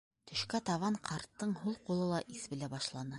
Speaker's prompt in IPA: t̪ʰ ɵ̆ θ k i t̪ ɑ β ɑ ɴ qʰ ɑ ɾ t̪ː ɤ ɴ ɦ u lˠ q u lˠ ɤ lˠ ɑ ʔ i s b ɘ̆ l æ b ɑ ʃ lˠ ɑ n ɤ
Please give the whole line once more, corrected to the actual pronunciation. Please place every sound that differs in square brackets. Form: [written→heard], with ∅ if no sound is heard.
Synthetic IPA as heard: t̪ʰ ɵ̆ [θ→ʃ] k [i→æ] t̪ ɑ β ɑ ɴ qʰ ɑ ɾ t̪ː ɤ ɴ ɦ u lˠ q u lˠ ɤ lˠ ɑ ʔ i s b ɘ̆ l æ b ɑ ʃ lˠ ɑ n ɤ